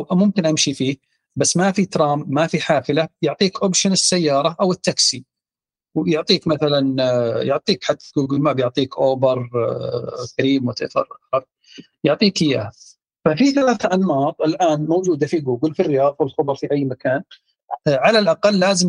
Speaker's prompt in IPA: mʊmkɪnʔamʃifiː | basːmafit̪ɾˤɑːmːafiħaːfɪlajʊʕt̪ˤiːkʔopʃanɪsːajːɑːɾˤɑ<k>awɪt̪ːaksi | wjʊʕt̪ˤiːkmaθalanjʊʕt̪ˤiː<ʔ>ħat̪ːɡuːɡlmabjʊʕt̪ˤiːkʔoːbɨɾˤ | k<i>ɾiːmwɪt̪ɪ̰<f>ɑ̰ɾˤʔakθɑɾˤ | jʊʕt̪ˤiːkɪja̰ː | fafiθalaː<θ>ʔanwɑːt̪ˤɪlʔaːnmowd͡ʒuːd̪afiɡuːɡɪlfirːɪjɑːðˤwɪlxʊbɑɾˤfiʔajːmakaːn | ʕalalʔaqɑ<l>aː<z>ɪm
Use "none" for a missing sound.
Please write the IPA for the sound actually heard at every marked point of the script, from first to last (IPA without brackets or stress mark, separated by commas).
ʔ, k, a, f, θ, lː, z